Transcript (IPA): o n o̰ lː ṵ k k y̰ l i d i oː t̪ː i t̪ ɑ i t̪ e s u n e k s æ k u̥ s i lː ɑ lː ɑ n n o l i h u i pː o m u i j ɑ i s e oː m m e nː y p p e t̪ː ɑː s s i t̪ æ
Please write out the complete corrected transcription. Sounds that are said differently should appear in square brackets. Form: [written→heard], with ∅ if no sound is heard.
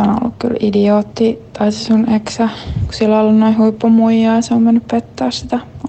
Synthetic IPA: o n o̰ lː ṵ k k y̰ l i d i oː t̪ː i t̪ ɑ i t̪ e s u n e k s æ k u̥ s i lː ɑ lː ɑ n n o [l→∅] i h u i pː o m u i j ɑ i s e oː m m e nː y p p e t̪ː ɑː s s i t̪ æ